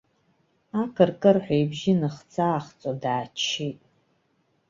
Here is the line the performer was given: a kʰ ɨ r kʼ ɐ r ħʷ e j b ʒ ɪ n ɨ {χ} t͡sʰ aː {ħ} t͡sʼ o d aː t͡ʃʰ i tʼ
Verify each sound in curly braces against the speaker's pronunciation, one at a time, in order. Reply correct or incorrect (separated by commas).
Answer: correct, incorrect